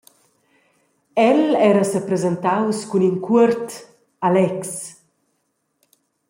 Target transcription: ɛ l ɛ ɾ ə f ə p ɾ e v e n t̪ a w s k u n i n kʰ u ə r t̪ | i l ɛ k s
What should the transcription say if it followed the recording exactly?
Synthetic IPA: ɛ l ɛ ɾ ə s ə p ɾ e z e n t̪ a w s k u n i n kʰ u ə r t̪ | a l ɛ k s